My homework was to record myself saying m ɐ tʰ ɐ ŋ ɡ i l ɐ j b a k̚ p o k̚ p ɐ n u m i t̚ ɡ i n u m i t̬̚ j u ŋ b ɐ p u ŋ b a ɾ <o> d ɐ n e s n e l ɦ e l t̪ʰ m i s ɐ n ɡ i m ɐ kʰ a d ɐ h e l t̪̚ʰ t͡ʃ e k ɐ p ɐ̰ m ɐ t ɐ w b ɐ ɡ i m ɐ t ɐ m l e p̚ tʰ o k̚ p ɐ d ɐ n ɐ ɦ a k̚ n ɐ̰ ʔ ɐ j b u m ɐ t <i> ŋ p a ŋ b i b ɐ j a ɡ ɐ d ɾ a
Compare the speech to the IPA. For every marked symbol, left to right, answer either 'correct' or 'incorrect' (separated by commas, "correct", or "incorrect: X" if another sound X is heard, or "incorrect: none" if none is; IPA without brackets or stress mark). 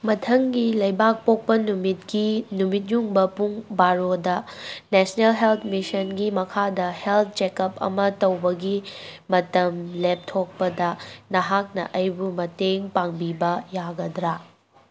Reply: correct, incorrect: e